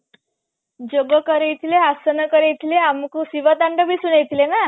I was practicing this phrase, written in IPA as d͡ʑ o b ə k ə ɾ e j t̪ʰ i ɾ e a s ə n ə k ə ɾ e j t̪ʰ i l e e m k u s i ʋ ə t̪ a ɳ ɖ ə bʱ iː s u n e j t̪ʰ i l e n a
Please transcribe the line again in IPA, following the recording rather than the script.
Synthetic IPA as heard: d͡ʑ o ɡ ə k ə ɾ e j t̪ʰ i l e a s ə n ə k ə ɾ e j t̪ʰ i l e a m k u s i ʋ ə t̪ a ɳ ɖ ə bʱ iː s u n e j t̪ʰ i l e n a